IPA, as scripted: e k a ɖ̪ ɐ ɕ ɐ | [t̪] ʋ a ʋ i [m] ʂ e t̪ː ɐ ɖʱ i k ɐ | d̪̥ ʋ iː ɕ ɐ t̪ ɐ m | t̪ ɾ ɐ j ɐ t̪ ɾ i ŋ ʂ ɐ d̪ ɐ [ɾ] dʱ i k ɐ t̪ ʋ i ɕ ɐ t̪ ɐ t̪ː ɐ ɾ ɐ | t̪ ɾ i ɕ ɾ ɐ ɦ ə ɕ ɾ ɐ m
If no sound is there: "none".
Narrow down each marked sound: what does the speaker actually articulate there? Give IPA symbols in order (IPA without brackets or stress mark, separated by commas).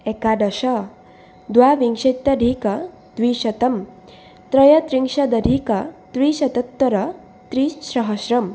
d̪, ŋ, none